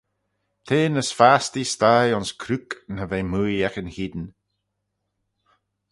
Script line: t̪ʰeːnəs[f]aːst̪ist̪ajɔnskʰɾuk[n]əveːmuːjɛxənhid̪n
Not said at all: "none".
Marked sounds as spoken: f, n

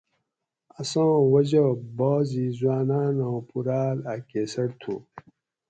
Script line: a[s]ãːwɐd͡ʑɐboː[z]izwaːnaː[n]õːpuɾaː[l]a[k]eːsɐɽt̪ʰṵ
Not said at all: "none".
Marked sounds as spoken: s, z, n, l, k

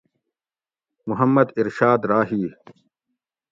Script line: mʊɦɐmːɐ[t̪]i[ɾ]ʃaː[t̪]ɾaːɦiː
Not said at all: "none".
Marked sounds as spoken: d̪, ɾ, d̪

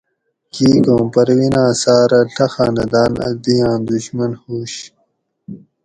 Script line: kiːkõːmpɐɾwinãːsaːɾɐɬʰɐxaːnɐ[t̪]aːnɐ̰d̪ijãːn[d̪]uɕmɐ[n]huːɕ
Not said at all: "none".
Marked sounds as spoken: d̪, d̪, n

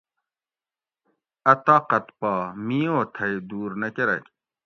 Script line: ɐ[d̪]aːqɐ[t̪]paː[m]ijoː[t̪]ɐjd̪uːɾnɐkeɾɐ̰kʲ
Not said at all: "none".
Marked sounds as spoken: t̪, t̪, m, t̪ʰ

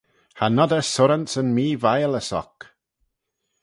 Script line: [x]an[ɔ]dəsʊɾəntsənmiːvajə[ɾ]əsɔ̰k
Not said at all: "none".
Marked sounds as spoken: h, ɔ, l

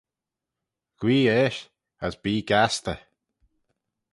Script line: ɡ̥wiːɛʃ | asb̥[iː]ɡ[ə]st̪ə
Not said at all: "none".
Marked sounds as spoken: iː, a

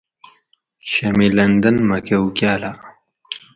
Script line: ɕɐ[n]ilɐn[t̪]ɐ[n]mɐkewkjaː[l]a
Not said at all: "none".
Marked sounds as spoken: m, d̪, n, l

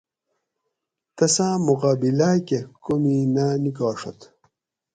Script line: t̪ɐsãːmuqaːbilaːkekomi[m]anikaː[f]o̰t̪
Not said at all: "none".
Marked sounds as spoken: n, ʂ

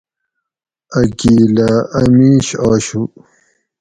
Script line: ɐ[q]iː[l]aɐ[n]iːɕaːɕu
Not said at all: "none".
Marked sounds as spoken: k, l, m

